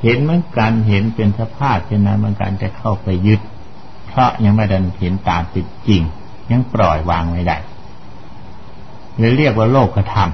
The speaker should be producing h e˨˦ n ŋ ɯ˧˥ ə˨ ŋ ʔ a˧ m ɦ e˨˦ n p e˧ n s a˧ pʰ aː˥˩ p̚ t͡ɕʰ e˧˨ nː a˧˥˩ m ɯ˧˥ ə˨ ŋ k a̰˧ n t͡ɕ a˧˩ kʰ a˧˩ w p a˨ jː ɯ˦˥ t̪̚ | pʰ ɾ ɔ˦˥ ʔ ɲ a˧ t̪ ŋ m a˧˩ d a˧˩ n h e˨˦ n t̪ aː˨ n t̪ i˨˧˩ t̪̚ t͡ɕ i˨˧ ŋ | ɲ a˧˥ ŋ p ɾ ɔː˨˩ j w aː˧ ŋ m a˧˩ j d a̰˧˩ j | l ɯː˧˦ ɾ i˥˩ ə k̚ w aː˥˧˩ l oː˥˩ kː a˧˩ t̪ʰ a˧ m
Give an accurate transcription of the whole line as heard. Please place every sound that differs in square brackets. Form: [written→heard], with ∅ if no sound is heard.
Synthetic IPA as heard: h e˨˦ n [ŋ→m] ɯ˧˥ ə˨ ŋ [ʔ→k] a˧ [m→n] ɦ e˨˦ n p e˧ n s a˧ pʰ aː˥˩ p̚ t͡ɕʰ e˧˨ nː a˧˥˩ m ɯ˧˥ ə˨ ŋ k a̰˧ n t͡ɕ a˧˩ kʰ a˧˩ w p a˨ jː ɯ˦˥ t̪̚ | pʰ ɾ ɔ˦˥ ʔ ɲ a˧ [t̪→∅] ŋ m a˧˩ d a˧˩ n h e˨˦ n t̪ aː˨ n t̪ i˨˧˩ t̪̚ t͡ɕ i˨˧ ŋ | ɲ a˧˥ ŋ p ɾ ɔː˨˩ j w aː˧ ŋ m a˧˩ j d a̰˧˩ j | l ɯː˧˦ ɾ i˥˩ ə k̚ w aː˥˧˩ l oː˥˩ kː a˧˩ t̪ʰ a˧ m